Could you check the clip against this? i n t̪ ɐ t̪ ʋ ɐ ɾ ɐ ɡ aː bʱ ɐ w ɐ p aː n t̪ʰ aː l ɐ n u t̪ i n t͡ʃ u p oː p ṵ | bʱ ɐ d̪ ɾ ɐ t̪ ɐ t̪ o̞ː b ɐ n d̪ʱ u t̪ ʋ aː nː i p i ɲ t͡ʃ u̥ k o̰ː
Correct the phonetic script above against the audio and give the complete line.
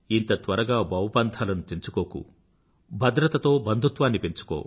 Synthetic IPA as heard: i n t̪ ɐ t̪ ʋ ɐ ɾ ɐ ɡ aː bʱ ɐ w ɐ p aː n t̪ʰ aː l ɐ n u t̪ i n t͡ʃ u k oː k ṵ | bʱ ɐ d̪ ɾ ɐ t̪ ɐ t̪ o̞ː b ɐ n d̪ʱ u t̪ ʋ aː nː i p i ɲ t͡ʃ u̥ k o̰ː